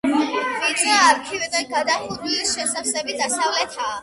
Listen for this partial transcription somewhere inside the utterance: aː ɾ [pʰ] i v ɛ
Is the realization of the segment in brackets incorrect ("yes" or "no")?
yes